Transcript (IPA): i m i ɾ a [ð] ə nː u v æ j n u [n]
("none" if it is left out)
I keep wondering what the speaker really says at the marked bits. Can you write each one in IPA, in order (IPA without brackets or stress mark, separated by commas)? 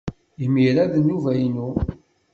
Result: ð, none